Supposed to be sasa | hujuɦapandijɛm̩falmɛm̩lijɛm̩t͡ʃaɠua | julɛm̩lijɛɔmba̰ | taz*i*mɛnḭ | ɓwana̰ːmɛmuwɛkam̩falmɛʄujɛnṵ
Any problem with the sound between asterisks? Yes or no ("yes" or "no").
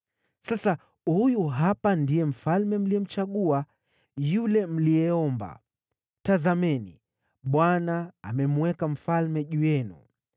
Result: yes